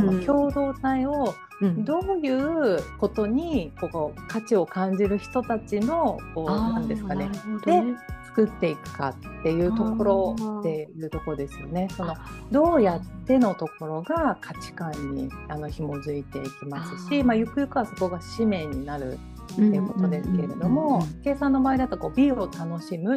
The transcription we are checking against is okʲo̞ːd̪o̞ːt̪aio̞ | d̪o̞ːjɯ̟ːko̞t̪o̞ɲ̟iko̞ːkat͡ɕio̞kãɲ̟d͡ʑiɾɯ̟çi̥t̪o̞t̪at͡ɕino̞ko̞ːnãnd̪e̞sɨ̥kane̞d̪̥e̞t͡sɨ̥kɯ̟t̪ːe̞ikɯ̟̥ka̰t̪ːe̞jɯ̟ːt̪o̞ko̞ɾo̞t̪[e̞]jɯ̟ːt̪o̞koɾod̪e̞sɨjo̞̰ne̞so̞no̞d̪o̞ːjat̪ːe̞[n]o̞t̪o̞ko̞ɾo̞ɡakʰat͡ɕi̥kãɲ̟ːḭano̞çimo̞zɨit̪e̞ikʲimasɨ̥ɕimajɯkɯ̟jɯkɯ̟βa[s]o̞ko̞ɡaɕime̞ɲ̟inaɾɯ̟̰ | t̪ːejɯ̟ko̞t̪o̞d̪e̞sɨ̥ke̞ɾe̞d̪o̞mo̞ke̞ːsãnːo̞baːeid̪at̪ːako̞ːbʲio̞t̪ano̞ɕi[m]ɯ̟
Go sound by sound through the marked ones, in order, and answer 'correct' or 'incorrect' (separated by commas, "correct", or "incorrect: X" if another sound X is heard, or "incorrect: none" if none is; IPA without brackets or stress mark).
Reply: correct, correct, correct, correct